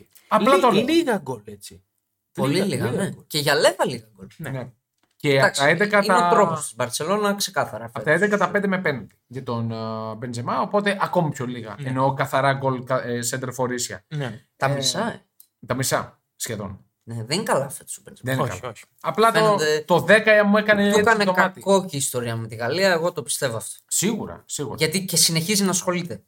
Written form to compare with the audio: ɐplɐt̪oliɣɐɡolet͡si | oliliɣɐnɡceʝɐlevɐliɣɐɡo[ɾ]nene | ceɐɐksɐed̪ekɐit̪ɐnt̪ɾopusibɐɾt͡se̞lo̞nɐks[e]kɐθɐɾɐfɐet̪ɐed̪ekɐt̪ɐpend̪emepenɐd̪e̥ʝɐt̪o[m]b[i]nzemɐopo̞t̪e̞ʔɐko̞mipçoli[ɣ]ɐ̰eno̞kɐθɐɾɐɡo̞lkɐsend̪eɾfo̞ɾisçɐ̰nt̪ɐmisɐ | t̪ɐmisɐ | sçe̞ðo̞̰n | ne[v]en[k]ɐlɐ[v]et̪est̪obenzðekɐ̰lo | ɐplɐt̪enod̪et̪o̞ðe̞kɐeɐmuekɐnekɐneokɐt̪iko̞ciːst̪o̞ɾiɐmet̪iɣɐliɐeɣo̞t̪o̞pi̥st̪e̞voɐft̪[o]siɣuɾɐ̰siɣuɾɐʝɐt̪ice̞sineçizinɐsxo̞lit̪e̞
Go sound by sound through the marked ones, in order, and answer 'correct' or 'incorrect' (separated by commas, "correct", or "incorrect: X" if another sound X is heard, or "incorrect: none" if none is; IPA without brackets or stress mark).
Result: incorrect: l, correct, incorrect: n, incorrect: e, correct, incorrect: ð, correct, incorrect: f, correct